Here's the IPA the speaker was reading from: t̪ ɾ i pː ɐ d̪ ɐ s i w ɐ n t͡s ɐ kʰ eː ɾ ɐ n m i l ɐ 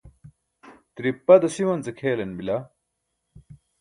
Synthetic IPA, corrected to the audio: t̪ ɾ i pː ɐ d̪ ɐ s i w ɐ n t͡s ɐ kʰ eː l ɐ n b i l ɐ